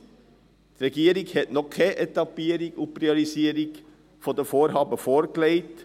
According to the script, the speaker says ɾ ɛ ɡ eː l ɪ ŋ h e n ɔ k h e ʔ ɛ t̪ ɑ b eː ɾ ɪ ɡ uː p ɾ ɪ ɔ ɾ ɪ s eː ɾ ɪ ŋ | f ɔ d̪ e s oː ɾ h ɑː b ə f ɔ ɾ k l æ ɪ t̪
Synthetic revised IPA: ɾ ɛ ɡ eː ɾ ɪ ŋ h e n ɔ k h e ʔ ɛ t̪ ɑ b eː ɾ ɪ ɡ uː p ɾ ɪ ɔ ɾ ɪ s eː ɾ ɪ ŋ | f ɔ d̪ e f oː ɾ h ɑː b ə f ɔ ɾ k l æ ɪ t̪